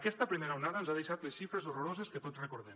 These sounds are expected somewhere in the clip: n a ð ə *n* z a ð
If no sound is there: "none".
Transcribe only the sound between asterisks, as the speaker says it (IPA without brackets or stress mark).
n